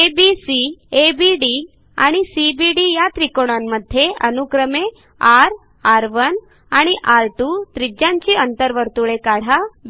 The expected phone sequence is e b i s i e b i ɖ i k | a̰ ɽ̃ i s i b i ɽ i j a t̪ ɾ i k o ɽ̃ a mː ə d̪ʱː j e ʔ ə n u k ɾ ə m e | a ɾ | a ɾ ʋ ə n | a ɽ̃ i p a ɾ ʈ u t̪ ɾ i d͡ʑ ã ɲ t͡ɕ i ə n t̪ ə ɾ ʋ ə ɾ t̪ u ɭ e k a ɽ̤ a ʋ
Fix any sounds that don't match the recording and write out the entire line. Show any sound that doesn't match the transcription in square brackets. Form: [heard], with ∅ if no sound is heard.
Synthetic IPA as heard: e b i s i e b i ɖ i [∅] | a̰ ɽ̃ i s i b i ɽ i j a t̪ ɾ i k o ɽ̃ a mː ə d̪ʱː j e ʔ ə n u k ɾ ə m e | a ɾ | a ɾ ʋ ə n | a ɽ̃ i [ʔ] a ɾ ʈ u t̪ ɾ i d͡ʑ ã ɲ t͡ɕ i ə n t̪ ə ɾ ʋ ə ɾ t̪ u ɭ e k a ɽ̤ a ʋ

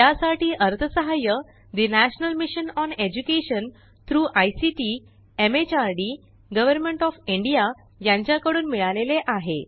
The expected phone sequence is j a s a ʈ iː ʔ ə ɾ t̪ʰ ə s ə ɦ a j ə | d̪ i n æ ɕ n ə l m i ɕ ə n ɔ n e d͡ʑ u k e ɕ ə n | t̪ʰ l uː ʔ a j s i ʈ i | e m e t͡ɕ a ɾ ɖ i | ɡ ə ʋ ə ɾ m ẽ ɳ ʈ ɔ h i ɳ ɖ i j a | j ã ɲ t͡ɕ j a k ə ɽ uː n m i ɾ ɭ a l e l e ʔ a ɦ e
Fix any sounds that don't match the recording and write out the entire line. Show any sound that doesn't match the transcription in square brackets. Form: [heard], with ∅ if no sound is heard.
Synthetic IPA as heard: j a s a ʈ iː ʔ ə ɾ t̪ʰ ə s ə ɦ a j ə | d̪ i n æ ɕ n ə l m i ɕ ə n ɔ n e d͡ʑ u k e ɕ ə n | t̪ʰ [ɾ] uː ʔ a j s i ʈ i | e m e t͡ɕ a ɾ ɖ i | ɡ ə ʋ ə ɾ m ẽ ɳ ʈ ɔ [f] i ɳ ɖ i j a | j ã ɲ t͡ɕ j a k ə ɽ uː n m i [∅] ɭ a l e l e ʔ a ɦ e

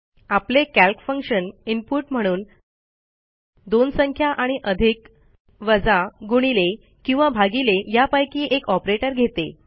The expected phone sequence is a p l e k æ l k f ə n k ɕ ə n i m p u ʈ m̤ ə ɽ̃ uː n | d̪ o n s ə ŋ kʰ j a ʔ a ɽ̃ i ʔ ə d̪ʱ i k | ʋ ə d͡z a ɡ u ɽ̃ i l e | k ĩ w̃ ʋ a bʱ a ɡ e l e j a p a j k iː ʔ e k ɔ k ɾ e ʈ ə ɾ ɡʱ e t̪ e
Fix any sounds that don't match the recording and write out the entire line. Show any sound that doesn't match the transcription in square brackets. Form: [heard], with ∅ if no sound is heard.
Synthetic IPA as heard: a p l e k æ l k f ə [ŋ] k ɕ ə n i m p u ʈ m̤ ə ɽ̃ uː n | d̪ o n s ə ŋ kʰ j a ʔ a ɽ̃ i ʔ ə d̪ʱ i k | ʋ ə d͡z a ɡ u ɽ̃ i l e | k ĩ w̃ ʋ a bʱ a ɡ [i] l e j a p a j k iː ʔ e k ɔ [p] ɾ e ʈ ə ɾ ɡʱ e t̪ e

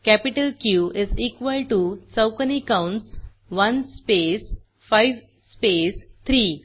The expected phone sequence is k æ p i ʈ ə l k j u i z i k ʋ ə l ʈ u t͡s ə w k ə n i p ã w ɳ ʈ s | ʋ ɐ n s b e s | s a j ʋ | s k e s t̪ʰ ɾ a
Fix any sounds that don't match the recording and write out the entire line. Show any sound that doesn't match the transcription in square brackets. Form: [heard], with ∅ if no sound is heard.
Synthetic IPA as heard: k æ p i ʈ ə l k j u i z i k ʋ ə l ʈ u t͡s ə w k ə n i [k] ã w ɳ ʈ s | ʋ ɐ n s [p] e s | [f] a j ʋ | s [p] e s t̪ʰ ɾ [i]

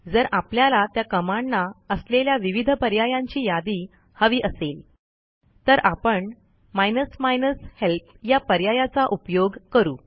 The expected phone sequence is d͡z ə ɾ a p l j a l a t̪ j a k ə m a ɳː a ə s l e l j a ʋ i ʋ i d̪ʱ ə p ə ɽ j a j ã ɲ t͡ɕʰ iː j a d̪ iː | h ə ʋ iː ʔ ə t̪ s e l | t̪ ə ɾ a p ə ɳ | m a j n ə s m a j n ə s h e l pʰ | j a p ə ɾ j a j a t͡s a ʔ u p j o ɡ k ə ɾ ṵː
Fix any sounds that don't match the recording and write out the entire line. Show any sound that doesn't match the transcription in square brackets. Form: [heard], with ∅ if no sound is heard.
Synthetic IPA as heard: d͡z ə ɾ a p l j a l a t̪ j a k ə m a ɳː a ə s l e l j a ʋ i ʋ i d̪ʱ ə p ə [ɾ] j a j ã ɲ [t͡ɕ] iː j a d̪ iː | h ə ʋ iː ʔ ə [∅] s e l | t̪ ə ɾ a p ə ɳ | m a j n ə s m a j n ə s h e l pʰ | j a p ə ɾ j a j a t͡s a ʔ u p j o ɡ k ə ɾ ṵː

